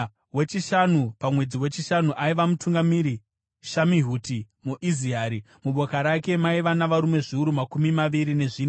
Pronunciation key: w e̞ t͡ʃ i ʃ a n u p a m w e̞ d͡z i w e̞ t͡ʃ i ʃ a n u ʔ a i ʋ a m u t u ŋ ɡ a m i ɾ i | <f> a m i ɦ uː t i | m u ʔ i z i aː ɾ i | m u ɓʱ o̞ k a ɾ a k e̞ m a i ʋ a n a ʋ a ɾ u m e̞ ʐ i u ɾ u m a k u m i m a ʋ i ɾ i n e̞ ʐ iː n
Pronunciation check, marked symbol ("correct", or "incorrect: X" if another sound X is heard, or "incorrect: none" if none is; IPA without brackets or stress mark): incorrect: ʃ